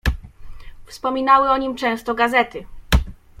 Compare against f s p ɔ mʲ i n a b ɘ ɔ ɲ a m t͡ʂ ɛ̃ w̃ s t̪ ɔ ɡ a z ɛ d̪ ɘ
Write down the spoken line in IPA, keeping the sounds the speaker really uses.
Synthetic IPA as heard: f s p ɔ mʲ i n a w ɘ ɔ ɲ i m t͡ʂ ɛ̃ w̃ s t̪ ɔ ɡ a z ɛ t̪ ɘ